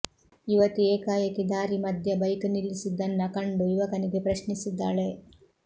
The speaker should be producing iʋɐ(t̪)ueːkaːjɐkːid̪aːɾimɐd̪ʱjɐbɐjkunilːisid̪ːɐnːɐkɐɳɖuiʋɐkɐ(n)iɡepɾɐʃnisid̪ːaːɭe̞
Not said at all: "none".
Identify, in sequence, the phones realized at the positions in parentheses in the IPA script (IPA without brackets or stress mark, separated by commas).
t̪, n